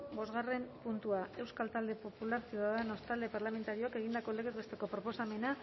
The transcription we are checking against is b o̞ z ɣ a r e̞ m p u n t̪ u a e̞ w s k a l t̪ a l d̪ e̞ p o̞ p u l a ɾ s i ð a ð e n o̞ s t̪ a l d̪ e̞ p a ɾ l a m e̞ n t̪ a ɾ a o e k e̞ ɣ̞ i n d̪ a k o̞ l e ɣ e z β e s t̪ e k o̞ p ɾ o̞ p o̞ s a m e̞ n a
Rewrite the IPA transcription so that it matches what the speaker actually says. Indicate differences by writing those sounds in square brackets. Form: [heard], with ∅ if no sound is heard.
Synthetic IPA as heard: b o̞ z ɣ a r e̞ m p u n t̪ u a e̞ w s k a l t̪ a l d̪ e̞ p o̞ p u l a ɾ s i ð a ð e n o̞ s t̪ a l d̪ e̞ p a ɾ l a m e̞ n t̪ a ɾ [i] o [a] k e̞ ɣ̞ i n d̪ a k o̞ l e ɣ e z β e s t̪ e k o̞ p ɾ o̞ p o̞ s a m e̞ n a